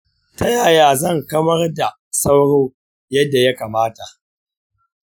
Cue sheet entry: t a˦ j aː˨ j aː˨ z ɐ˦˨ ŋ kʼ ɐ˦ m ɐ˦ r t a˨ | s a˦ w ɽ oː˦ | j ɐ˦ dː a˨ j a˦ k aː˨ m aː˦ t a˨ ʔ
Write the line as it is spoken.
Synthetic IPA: t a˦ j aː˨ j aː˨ z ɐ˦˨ ŋ k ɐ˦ m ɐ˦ r d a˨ | s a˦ w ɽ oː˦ | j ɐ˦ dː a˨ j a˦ k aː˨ m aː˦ t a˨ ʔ

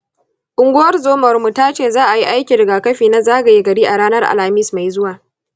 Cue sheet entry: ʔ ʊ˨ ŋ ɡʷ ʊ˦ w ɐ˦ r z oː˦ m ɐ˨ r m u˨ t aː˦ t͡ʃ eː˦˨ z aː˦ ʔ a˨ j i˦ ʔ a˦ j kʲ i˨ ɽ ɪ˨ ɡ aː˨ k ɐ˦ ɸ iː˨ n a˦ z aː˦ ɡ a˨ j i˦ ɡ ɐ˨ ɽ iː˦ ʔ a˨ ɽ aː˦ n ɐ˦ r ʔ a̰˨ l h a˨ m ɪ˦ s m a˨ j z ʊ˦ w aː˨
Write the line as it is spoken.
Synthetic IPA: ʔ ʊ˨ ŋ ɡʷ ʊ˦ w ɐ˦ r z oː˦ m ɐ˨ r m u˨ t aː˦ t͡ʃ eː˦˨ z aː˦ ʔ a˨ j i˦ ʔ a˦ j kʲ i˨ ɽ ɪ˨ ɡ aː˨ k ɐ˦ ɸ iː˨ n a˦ z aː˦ ɡ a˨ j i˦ ɡ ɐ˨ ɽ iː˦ ʔ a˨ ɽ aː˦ n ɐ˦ r ʔ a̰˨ l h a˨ m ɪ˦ s m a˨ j z ʊ˦ w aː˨

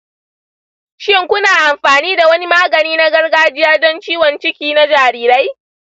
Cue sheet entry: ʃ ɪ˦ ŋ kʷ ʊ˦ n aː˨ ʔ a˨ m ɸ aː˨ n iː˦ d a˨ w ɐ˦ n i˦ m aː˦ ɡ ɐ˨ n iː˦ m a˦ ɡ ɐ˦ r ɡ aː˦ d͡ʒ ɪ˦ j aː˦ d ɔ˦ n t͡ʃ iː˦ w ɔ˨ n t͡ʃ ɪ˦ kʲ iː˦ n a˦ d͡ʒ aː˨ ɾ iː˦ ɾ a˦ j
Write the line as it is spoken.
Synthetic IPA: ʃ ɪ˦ ŋ kʷ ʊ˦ n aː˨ ʔ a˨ m ɸ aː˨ n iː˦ d a˨ w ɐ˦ n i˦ m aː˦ ɡ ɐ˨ n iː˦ n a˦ ɡ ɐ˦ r ɡ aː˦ d͡ʒ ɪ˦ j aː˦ d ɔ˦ n t͡ʃ iː˦ w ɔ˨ n t͡ʃ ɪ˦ kʲ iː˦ n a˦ d͡ʒ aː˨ ɾ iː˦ ɾ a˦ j

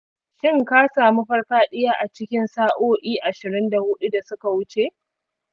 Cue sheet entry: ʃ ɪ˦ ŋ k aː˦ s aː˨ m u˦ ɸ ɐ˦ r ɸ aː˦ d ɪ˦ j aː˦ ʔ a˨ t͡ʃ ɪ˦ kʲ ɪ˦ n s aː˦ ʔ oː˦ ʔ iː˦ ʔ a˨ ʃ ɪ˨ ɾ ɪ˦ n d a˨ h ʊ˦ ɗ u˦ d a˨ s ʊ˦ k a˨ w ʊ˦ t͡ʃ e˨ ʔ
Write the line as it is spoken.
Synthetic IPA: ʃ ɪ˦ ŋ k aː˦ s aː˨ m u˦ ɸ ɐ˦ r ɸ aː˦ ɗ ɪ˦ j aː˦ ʔ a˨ t͡ʃ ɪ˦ kʲ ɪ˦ n s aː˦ ʔ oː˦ ʔ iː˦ ʔ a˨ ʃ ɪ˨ ɾ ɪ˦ n d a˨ h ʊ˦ ɗ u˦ d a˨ s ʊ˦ k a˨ w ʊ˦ t͡ʃ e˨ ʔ

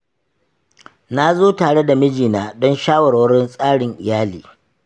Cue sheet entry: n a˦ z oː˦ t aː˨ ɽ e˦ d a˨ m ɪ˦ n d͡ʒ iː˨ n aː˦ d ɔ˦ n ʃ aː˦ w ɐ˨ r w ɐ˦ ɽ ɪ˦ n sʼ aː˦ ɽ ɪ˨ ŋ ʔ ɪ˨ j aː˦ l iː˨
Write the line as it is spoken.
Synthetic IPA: n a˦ z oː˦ t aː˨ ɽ e˦ d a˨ m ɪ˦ d͡ʒ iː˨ n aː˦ d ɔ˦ n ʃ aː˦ w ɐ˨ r w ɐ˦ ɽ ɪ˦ n sʼ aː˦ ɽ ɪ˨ ŋ ʔ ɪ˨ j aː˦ l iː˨

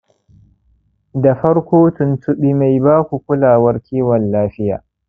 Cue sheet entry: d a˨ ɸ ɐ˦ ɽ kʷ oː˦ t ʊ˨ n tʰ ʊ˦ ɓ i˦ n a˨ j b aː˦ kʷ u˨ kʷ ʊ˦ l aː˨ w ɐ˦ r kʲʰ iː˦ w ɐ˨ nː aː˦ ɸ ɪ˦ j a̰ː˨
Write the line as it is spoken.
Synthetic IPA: d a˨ ɸ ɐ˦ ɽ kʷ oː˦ t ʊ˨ n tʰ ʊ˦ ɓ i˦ m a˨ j b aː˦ kʷ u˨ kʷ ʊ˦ l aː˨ w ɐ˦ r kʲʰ iː˦ w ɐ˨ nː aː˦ ɸ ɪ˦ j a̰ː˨

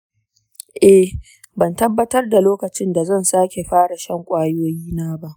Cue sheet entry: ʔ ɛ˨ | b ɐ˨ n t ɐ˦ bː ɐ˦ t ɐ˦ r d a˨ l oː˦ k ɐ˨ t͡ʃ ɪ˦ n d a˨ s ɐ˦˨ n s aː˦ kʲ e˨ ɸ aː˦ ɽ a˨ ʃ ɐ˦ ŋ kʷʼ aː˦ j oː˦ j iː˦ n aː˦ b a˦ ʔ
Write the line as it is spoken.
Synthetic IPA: ʔ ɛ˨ | b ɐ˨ n t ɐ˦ bː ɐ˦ t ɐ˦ r d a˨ l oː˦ k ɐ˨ t͡ʃ ɪ˦ n d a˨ z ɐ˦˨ n s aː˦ kʲ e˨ ɸ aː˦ ɽ a˨ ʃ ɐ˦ ŋ kʷʼ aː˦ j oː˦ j iː˦ n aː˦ b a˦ ʔ

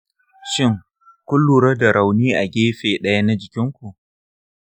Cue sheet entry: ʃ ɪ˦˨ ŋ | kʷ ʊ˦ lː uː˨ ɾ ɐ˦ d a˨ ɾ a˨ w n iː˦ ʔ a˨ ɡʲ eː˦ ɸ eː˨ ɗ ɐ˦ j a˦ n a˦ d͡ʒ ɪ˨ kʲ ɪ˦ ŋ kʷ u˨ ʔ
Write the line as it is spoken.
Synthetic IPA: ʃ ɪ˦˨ ŋ | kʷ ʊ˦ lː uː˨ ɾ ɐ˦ d a˨ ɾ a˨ w n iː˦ ʔ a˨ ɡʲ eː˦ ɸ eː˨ ɗ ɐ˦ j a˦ n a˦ d͡ʒ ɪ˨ kʲ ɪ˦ ŋ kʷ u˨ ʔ

